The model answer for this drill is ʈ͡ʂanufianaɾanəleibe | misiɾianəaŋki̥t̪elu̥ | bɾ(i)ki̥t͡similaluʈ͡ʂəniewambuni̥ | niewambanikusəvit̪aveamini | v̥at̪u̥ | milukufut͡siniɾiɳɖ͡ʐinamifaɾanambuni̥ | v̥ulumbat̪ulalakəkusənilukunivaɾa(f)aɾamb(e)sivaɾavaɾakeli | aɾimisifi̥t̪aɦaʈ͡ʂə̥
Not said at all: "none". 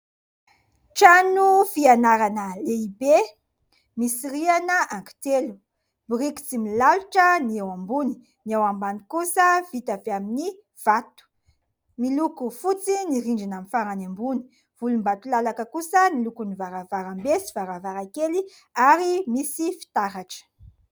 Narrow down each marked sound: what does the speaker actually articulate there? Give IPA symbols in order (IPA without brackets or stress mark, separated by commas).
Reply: i, v, e